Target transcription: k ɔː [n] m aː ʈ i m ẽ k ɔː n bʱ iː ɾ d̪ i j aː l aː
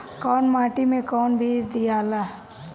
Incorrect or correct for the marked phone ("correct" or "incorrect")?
correct